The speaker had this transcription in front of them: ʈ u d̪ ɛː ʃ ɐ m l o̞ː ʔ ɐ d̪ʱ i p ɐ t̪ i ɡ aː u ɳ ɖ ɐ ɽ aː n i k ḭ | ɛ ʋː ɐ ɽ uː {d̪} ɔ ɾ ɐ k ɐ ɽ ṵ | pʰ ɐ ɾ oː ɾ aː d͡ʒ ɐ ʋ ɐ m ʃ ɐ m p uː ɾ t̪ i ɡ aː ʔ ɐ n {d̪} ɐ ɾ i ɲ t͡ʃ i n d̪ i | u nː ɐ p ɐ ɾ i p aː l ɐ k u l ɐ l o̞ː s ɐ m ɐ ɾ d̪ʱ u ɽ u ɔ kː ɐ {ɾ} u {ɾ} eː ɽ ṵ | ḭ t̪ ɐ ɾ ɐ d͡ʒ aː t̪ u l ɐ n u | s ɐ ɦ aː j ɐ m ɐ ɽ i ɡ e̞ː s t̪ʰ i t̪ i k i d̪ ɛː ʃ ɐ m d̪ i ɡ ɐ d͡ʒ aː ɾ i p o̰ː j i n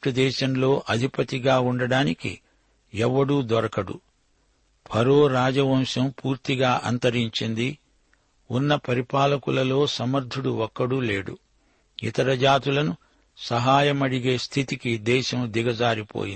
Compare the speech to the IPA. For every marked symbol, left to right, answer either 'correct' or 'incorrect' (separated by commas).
correct, incorrect, incorrect, incorrect